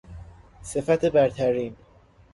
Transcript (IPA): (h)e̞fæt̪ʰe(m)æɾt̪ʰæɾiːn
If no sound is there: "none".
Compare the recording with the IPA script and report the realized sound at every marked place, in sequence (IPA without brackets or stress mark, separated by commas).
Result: s, b